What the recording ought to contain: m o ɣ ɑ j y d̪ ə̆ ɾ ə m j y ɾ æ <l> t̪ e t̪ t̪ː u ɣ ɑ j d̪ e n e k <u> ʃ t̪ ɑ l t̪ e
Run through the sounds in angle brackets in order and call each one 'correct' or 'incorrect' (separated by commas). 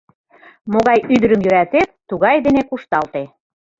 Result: incorrect, correct